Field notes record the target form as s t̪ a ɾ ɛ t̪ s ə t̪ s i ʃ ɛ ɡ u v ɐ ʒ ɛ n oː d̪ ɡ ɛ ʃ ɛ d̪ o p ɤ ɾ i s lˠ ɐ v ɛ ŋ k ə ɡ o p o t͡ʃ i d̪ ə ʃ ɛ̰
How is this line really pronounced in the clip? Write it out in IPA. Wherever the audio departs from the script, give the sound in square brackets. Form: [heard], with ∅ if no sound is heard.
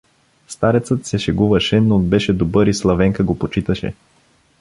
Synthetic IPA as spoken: s t̪ a ɾ ɛ t̪ s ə t̪ s [ɛ] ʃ ɛ ɡ u v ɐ [ʃ] ɛ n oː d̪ [b] ɛ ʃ ɛ d̪ o [b] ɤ ɾ i s lˠ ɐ v ɛ ŋ k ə ɡ o p o t͡ʃ i [t̪] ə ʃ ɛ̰